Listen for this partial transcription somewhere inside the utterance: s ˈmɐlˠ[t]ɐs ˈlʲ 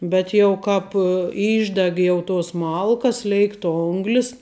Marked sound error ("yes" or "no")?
yes